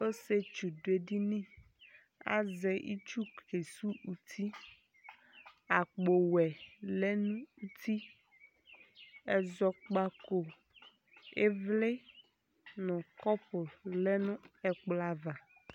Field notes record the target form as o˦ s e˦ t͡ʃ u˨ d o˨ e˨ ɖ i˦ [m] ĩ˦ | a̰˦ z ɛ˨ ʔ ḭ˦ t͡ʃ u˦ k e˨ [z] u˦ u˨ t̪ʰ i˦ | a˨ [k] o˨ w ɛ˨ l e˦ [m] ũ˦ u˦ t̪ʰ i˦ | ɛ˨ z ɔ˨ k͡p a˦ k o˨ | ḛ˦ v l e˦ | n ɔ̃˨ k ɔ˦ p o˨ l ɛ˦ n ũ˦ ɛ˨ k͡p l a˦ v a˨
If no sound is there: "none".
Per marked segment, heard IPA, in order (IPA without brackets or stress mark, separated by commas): n, s, k͡p, n